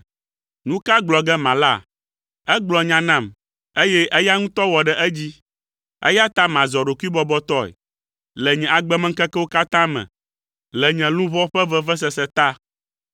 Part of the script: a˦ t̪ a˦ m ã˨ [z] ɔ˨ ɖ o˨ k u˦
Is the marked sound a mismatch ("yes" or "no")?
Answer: no